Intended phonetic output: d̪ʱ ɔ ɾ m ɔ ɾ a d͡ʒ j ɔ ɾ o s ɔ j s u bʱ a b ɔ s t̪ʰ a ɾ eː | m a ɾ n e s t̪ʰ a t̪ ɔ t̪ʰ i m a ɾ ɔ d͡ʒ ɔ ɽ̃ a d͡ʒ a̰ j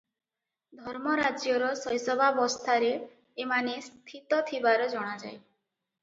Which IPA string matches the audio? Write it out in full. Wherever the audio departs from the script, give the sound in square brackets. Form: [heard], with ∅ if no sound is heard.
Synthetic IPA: d̪ʱ ɔ ɾ m ɔ ɾ a d͡ʒ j ɔ ɾ [ɔ] s ɔ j s [ɔ] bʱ a b ɔ s t̪ʰ a ɾ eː | m a [∅] n e s t̪ʰ [i] t̪ ɔ t̪ʰ i [b] a ɾ ɔ d͡ʒ ɔ ɽ̃ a d͡ʒ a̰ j